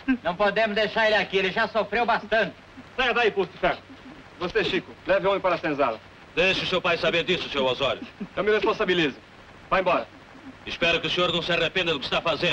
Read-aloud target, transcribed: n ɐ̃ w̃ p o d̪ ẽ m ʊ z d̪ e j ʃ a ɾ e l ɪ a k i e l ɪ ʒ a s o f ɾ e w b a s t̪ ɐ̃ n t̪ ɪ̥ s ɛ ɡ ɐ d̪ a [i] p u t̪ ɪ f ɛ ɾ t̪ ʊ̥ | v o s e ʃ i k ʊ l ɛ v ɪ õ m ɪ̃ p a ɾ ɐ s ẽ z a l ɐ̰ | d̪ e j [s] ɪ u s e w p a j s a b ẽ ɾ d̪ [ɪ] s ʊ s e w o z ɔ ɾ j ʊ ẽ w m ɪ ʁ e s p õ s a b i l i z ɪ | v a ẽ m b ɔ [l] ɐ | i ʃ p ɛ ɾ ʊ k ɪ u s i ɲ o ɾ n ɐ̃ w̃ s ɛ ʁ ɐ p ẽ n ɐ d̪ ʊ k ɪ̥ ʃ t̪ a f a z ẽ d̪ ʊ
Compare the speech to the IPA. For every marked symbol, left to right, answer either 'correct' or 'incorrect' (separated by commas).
correct, incorrect, incorrect, incorrect